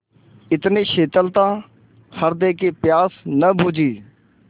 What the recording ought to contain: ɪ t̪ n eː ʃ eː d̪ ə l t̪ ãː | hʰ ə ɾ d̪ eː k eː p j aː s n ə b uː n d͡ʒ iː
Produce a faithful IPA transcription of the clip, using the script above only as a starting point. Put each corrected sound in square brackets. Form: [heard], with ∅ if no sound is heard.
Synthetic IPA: ɪ t̪ n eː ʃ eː [t̪] ə l t̪ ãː | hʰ ə ɾ d̪ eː k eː p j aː s n ə b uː [∅] d͡ʒ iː